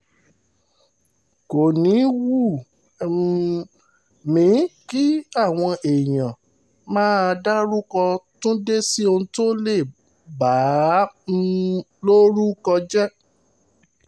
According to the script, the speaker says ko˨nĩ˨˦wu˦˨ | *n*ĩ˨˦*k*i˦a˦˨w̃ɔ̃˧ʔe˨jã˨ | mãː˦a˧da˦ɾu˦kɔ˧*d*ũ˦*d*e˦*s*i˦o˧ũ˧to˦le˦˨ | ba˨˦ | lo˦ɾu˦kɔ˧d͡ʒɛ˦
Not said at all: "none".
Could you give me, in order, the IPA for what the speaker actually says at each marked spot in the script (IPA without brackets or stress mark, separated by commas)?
m, k, t, d, s